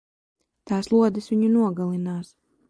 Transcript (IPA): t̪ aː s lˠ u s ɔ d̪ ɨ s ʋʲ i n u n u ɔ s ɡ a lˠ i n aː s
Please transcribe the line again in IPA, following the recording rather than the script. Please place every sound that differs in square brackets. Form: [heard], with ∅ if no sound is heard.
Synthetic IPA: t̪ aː s lˠ u [∅] ɔ d̪ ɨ s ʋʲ i [ɲ] u n u ɔ [∅] ɡ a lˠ i n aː s